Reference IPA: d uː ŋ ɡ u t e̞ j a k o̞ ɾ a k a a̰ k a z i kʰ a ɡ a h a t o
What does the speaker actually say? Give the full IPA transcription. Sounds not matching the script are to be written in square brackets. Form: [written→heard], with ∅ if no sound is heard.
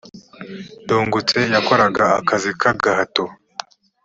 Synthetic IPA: d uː ŋ ɡ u [t→t͡s] e̞ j a k o̞ ɾ a [k→ɡ] a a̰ k a z i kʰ a ɡ a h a t o